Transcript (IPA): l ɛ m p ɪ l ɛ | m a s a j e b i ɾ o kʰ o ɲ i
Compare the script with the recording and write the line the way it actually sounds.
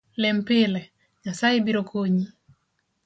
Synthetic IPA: l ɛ m p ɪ l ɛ | ɲ a s a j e b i ɾ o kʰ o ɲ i